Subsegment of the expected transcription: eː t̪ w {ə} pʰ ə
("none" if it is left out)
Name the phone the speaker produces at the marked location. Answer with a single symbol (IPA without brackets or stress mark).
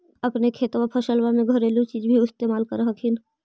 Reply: a